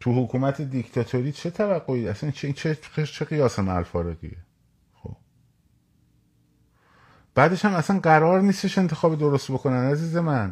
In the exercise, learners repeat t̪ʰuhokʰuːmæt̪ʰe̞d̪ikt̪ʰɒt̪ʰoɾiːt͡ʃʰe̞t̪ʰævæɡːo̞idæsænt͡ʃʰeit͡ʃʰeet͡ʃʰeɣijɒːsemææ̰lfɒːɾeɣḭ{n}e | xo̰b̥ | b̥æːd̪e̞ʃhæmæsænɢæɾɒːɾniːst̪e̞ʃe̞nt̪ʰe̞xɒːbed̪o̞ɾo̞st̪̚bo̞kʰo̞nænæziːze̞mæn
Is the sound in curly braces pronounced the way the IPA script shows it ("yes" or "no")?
no